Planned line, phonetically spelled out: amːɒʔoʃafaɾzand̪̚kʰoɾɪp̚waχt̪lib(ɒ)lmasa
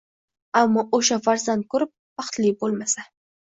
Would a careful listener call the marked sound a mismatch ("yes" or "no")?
yes